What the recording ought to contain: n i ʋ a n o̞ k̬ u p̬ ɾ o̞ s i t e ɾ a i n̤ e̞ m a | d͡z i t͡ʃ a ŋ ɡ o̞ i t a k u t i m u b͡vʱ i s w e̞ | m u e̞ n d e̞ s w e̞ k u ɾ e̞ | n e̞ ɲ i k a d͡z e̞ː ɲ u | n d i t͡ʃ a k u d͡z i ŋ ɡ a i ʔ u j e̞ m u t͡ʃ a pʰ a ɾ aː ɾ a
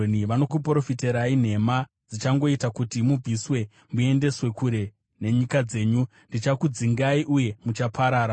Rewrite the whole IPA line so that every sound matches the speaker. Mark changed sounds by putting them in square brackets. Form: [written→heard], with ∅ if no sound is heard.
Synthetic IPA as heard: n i ʋ a n o̞ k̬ u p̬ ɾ o̞ [s→f] i t e ɾ a i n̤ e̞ m a | d͡z i t͡ʃ a ŋ ɡ o̞ i t a k u t i m u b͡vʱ i s w e̞ | m u e̞ n d e̞ s w e̞ k u ɾ e̞ | n e̞ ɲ i k a d͡z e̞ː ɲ u | n d i t͡ʃ a k u d͡z i ŋ ɡ a i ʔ u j e̞ m u t͡ʃ a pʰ a ɾ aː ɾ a

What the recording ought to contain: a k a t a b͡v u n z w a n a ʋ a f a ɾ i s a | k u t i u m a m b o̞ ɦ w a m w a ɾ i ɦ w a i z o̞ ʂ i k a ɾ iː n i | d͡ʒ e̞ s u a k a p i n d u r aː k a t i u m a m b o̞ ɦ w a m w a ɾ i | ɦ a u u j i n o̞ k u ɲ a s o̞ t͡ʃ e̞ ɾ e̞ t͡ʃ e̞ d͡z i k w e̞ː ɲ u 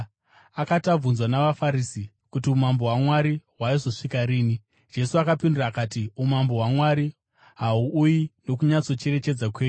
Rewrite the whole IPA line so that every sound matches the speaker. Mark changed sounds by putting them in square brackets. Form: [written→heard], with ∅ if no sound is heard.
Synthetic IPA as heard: a k a t a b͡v u n z w a n a ʋ a f a ɾ i s [a→i] | k u t i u m a m b o̞ ɦ w a m w a ɾ i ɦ w a i z o̞ ʂ i k a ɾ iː n i | d͡ʒ e̞ s u a k a p i n d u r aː k a t i u m a m b o̞ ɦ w a m w a ɾ i | ɦ a u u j i n o̞ k u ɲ a [s→t͡s] o̞ t͡ʃ e̞ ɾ e̞ t͡ʃ e̞ d͡z [i→a] k w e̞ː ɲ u

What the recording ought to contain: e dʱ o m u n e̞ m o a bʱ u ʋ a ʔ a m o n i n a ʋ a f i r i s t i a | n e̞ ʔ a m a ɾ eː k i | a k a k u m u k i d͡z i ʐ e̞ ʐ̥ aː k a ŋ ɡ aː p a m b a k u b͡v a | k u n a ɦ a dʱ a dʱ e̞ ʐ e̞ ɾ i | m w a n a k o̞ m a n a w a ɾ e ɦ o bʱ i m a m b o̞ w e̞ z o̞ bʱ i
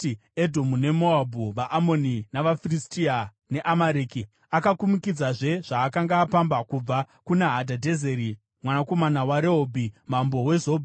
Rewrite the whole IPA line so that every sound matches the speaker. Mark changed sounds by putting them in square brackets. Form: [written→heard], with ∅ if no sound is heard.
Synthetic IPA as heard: e dʱ o m u n e̞ m o a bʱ u ʋ a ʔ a m o n i n a ʋ a f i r i s t i a | n e̞ ʔ a m a ɾ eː k i | a k a k u m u k i d͡z [i→a] ʐ e̞ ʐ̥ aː k a ŋ ɡ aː p a m b a k u b͡v a | k u n a ɦ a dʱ a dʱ e̞ [ʐ→z] e̞ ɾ i | m w a n a k o̞ m a n a w a ɾ e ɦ o bʱ i m a m b o̞ w e̞ z o̞ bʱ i

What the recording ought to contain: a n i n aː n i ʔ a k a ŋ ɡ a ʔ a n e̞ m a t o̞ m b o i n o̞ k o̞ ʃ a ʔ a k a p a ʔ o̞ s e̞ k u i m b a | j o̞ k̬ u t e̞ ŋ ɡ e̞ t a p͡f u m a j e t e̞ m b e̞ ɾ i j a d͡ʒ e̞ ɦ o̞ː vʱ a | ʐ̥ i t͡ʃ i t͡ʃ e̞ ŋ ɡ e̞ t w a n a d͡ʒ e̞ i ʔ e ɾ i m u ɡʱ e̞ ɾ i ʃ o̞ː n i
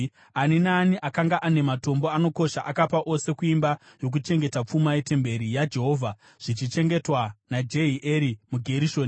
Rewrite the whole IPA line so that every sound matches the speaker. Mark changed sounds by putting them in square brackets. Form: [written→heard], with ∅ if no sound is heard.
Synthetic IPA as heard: a n i n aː n i ʔ a k a ŋ ɡ a ʔ a n e̞ m a t o̞ m b o [i→a] n o̞ k o̞ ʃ a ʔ a k a p a ʔ o̞ s e̞ k u i m b a | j o̞ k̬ u [t→t͡ʃ] e̞ ŋ ɡ e̞ t a p͡f u m a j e t e̞ m b e̞ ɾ i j a d͡ʒ e̞ ɦ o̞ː vʱ a | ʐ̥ i t͡ʃ i t͡ʃ e̞ ŋ ɡ e̞ t w a n a d͡ʒ e̞ i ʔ e ɾ i m u ɡʱ e̞ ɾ i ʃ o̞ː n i

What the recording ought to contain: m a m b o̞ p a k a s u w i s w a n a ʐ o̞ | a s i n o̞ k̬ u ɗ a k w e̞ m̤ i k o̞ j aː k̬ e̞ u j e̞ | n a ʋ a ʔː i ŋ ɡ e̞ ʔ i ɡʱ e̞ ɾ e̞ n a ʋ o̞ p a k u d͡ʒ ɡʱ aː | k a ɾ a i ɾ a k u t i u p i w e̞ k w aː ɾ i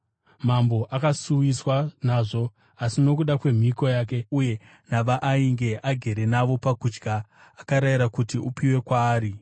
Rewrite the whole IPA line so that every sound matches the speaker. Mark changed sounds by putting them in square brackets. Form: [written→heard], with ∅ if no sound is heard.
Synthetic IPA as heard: m a m b o̞ [p→ʔ] a k a s u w i s w a n a ʐ o̞ | a s i n o̞ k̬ u ɗ a k w e̞ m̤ i k o̞ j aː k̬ e̞ u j e̞ | n a ʋ a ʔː i ŋ ɡ e̞ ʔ [i→a] ɡʱ e̞ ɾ e̞ n a ʋ o̞ p a k u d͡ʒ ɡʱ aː | k a ɾ a i ɾ a k u t i u p i w e̞ k w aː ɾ i

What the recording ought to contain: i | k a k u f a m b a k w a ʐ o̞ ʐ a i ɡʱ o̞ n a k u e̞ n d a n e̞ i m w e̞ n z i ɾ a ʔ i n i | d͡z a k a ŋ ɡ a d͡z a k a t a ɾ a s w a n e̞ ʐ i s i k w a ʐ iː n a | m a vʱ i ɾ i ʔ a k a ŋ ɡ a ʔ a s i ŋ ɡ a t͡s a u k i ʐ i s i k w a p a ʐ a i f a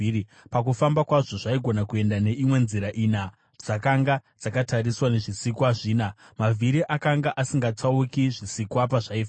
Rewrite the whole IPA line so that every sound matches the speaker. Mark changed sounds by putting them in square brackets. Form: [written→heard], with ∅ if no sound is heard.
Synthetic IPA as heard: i | [k→p] a k u f a m b a k w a ʐ o̞ ʐ a i ɡʱ o̞ n a k u e̞ n d a n e̞ i m w e̞ n z i ɾ a ʔ i n [i→a] | d͡z a k a ŋ ɡ a d͡z a k a t a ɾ [a→i] s w a n e̞ ʐ i s i k w a ʐ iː n a | m a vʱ i ɾ i ʔ a k a ŋ ɡ a ʔ a s i ŋ ɡ a t͡s a u k i ʐ i s i k w a p a ʐ a i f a

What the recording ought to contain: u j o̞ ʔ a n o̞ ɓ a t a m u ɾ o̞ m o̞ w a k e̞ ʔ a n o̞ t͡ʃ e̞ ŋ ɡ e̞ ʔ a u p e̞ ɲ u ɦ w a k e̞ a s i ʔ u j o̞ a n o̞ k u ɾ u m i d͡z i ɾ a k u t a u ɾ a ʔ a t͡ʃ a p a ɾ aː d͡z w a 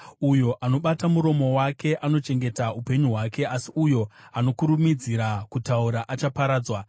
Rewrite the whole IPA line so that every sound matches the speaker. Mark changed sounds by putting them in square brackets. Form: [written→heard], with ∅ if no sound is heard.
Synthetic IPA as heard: u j o̞ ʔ a n o̞ ɓ a t a m u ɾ o̞ m o̞ w a k e̞ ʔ a n o̞ t͡ʃ e̞ ŋ ɡ e̞ [ʔ→t] a u p e̞ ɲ u ɦ w a k e̞ a s i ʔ u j o̞ a n o̞ k u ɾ u m i d͡z i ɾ a k u t a u ɾ a ʔ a t͡ʃ a p a ɾ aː d͡z w a

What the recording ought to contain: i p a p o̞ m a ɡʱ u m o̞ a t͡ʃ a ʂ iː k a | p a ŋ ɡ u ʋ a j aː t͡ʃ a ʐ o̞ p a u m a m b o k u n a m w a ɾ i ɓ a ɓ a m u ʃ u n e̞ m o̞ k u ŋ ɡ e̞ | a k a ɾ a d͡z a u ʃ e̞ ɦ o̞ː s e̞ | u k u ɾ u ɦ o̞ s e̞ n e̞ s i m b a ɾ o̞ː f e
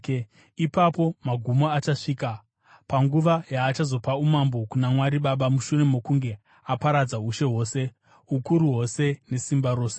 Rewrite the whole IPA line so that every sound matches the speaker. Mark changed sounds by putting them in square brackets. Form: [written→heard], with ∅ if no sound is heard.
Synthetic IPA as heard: i p a p o̞ m a ɡʱ u m o̞ a t͡ʃ a ʂ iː k a | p a ŋ ɡ u ʋ a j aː t͡ʃ a [ʐ→z] o̞ p a u m a m b o k u n a m w a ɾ i ɓ a ɓ a m u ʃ u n e̞ m o̞ k u ŋ ɡ e̞ | a [k→p] a ɾ a d͡z a u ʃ e̞ ɦ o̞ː s e̞ | u k u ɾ u ɦ o̞ s e̞ n e̞ s i m b a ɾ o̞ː [f→s] e

